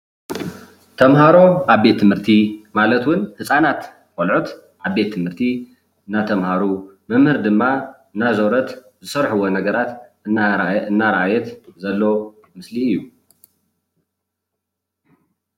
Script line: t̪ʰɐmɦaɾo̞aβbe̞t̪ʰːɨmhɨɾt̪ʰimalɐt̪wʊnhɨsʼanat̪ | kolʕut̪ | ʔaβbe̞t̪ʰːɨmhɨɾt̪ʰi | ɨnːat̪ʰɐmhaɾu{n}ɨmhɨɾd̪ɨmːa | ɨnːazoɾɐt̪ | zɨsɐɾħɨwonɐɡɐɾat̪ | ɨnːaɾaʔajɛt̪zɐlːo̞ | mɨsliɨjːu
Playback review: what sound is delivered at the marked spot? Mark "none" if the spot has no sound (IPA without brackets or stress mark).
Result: m